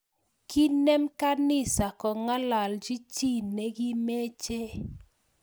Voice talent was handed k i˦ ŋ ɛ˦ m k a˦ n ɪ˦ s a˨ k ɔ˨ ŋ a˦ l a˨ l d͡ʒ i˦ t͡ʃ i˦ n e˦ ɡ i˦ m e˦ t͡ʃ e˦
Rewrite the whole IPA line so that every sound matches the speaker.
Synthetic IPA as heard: k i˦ n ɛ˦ m k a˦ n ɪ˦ s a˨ k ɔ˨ ŋ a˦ l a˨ l d͡ʒ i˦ t͡ʃ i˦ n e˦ ɡ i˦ m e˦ t͡ʃ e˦